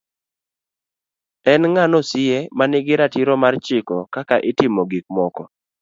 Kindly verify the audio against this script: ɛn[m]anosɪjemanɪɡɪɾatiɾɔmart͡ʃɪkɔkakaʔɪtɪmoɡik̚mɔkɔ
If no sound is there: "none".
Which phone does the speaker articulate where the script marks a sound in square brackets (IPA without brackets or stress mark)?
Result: ŋ